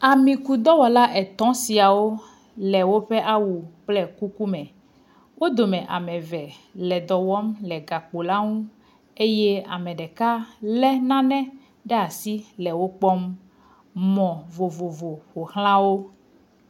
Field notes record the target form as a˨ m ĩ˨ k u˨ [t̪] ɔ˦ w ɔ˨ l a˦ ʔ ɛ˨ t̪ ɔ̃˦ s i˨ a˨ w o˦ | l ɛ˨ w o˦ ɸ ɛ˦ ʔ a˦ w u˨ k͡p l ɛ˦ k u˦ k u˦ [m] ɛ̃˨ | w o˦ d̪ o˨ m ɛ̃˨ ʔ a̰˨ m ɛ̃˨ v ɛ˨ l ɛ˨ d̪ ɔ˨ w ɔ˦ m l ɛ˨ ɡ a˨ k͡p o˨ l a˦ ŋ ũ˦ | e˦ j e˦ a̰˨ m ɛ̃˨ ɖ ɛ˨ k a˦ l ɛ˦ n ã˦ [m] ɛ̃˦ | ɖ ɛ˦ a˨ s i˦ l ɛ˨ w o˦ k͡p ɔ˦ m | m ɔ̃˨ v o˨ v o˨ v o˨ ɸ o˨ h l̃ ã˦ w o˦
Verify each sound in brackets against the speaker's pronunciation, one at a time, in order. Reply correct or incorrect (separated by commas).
incorrect, correct, incorrect